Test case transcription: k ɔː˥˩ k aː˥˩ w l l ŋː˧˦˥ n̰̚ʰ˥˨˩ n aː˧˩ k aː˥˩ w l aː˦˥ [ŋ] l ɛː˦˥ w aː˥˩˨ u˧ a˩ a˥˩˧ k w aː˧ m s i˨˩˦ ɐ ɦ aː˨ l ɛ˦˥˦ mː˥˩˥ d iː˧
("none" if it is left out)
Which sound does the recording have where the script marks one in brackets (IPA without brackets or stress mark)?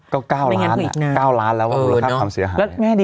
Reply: n